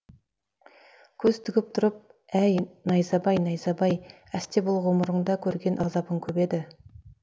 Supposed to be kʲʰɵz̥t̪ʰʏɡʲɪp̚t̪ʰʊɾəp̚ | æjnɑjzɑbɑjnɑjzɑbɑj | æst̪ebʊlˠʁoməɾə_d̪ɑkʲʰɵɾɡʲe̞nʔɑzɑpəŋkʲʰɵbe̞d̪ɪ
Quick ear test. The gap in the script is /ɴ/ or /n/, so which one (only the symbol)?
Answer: ɴ